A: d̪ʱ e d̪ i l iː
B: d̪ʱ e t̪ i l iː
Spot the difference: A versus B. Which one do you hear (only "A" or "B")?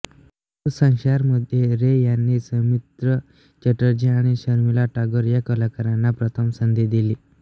A